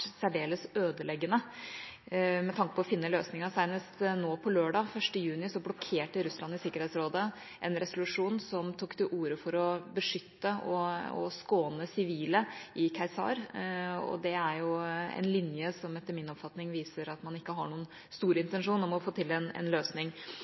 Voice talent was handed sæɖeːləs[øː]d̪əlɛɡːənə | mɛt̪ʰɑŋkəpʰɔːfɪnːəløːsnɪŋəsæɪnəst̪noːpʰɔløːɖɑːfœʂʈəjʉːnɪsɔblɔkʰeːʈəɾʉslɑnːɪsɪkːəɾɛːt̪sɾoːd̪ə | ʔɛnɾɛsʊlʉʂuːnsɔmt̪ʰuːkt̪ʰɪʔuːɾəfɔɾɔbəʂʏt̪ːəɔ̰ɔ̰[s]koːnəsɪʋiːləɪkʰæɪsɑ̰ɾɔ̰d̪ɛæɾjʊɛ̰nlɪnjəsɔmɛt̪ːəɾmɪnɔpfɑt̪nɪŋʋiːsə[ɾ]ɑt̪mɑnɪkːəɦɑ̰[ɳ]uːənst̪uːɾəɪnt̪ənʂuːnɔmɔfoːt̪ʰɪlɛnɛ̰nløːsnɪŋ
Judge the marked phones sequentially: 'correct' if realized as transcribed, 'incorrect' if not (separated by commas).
correct, correct, correct, correct